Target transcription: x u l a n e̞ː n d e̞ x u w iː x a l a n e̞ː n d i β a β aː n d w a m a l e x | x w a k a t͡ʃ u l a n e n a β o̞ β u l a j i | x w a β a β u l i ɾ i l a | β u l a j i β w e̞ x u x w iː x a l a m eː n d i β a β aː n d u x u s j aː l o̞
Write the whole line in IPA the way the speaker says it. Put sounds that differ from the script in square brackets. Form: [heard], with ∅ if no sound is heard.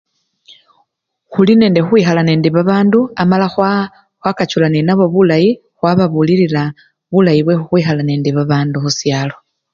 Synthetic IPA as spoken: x u l [i] n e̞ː n d e̞ x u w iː x a l a n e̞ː n d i β a β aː n d [u] a m a l [a] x | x w a k a t͡ʃ u l a n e n a β o̞ β u l a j i | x w a β a β u l i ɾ i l a | β u l a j i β w e̞ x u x w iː x a l a [n] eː n d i β a β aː n d u x u s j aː l o̞